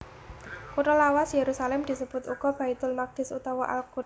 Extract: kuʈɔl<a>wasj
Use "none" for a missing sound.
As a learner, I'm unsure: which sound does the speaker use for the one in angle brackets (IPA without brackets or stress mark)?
a